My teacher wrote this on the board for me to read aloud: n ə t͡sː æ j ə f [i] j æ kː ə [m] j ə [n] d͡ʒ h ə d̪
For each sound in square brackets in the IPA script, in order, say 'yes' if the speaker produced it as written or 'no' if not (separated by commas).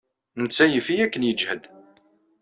yes, no, no